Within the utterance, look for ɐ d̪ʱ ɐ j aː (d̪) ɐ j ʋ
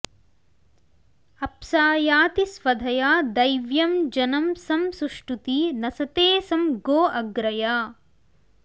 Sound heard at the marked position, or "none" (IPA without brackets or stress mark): d̪